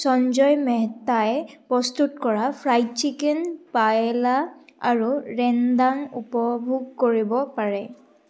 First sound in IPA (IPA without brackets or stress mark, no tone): s